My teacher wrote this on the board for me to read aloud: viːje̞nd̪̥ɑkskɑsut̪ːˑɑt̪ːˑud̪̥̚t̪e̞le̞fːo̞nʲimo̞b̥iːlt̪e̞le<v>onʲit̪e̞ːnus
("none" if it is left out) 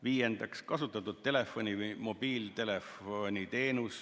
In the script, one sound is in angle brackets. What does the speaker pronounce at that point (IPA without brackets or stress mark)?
f